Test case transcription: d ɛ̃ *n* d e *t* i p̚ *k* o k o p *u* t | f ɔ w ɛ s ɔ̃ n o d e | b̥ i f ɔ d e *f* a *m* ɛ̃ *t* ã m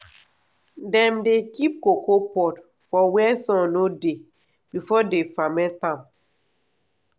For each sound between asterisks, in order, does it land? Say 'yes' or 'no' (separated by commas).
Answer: no, no, yes, no, yes, yes, yes